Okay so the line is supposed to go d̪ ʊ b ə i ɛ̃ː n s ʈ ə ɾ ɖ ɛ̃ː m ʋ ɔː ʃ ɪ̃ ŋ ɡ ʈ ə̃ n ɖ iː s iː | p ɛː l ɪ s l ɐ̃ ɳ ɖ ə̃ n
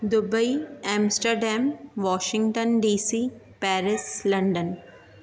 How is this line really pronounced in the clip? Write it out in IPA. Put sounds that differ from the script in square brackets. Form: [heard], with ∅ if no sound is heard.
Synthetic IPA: d̪ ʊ b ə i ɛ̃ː [m] s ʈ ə ɾ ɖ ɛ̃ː m ʋ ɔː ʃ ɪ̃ ŋ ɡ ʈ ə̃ n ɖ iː s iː | p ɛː [ɾ] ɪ s l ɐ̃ ɳ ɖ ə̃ n